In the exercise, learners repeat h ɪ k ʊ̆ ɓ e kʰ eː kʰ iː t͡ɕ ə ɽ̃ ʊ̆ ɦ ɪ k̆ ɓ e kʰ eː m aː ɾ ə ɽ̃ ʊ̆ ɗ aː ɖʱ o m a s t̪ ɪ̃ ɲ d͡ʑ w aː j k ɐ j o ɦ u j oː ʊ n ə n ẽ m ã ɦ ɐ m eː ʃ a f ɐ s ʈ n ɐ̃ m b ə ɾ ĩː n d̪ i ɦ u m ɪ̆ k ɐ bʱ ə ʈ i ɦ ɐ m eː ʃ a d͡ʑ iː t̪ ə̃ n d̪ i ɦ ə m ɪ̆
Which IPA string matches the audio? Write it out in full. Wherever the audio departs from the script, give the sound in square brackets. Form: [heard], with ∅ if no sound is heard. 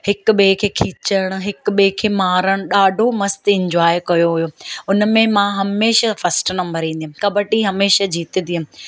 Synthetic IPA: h ɪ k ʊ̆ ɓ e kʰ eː kʰ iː t͡ɕ ə ɽ̃ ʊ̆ ɦ ɪ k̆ ɓ e kʰ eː m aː ɾ ə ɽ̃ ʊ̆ ɗ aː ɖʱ o m [ɐ] s t̪ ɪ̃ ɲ d͡ʑ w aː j k ɐ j o ɦ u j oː ʊ n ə [m] ẽ m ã ɦ ɐ m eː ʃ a f ɐ s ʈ n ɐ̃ m b ə ɾ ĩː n d̪ i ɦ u m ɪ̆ k ɐ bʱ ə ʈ i ɦ ɐ m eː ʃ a d͡ʑ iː t̪ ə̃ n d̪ i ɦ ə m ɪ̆